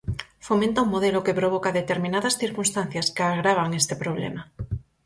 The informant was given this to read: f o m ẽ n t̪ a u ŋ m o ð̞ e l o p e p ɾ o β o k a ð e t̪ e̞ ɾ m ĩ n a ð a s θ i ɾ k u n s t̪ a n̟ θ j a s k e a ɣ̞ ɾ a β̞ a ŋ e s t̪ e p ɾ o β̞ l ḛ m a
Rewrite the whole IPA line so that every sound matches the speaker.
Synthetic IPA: f o m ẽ n t̪ a u ŋ m o ð̞ e l o k e p ɾ o β o k a ð e t̪ e̞ ɾ m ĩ n a ð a s θ i ɾ k u n s t̪ a n̟ θ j a s k e a ɣ̞ ɾ a β̞ a ŋ e s t̪ e p ɾ o β̞ l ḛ m a